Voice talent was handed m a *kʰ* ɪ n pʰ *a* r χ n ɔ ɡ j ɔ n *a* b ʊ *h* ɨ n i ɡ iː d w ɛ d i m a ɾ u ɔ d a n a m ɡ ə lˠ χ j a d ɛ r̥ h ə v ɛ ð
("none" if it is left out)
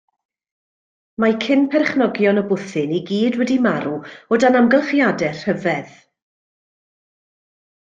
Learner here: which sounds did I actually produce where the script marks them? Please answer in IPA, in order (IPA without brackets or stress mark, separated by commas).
kʰ, ɛ, ə, θ